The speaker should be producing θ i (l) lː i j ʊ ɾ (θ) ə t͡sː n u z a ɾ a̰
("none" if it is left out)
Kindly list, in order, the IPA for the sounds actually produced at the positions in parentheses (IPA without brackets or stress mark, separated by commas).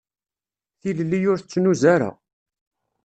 l, θ